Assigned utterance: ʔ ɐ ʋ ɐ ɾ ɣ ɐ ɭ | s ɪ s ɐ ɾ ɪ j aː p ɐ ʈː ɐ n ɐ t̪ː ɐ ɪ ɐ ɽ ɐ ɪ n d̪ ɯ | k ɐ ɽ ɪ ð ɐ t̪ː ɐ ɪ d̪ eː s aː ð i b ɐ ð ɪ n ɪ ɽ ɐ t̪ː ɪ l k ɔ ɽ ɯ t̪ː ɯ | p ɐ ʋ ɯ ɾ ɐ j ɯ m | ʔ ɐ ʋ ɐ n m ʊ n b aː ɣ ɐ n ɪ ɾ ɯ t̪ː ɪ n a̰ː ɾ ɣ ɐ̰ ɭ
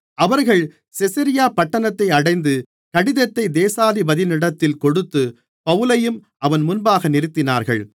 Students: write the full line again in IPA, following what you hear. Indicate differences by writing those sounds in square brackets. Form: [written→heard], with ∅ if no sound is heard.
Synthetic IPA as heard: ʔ ɐ ʋ ɐ ɾ ɣ ɐ ɭ | s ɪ s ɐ ɾ ɪ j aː p ɐ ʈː ɐ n ɐ t̪ː ɐ ɪ ɐ ɽ ɐ ɪ n d̪ ɯ | k ɐ ɽ ɪ ð ɐ t̪ː ɐ ɪ d̪ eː s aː ð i b ɐ ð ɪ n ɪ ɽ ɐ t̪ː ɪ l k ɔ ɽ ɯ t̪ː ɯ | p ɐ ʋ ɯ [ɾ→l] ɐ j ɯ m | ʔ ɐ ʋ ɐ n m ʊ n b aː ɣ ɐ n ɪ ɾ ɯ t̪ː ɪ n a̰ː ɾ ɣ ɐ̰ ɭ